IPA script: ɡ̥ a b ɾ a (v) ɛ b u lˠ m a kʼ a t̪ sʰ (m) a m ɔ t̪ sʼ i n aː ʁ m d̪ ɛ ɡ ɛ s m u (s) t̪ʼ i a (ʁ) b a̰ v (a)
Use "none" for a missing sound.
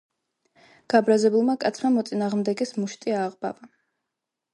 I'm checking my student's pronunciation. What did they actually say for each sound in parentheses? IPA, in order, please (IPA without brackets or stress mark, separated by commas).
z, m, ʃ, ʁ, a